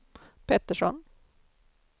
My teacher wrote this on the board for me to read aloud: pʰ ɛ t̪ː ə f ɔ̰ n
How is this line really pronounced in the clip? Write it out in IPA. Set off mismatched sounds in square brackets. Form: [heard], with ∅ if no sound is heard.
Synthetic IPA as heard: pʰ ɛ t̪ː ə [ʂ] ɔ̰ n